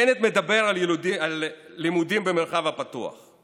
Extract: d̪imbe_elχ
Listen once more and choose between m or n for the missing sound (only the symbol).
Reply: m